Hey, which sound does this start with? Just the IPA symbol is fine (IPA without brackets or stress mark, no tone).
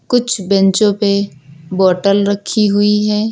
k